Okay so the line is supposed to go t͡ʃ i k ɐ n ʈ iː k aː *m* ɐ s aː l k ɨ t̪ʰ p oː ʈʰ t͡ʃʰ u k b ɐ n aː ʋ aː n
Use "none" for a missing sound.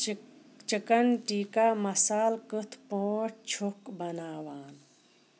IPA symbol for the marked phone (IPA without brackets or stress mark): m